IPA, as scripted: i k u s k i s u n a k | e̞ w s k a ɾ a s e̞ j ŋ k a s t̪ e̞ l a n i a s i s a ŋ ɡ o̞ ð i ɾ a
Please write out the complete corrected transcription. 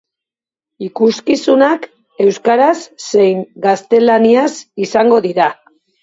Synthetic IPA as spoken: i k u s k i s u n a k | e̞ w s k a ɾ a sː e̞ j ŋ ɡ a s t̪ e̞ l a n i a s i s a ŋ ɡ o̞ ð i ɾ a